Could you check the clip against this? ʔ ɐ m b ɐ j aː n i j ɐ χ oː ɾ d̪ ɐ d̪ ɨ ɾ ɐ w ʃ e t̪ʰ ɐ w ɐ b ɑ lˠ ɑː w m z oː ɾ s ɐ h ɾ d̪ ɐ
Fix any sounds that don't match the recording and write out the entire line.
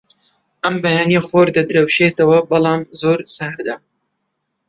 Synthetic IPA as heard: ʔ ɐ m b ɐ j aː n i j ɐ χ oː ɾ d̪ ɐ d̪ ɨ ɾ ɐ w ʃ e t̪ ɐ w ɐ b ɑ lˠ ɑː m z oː ɾ s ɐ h ɾ d̪ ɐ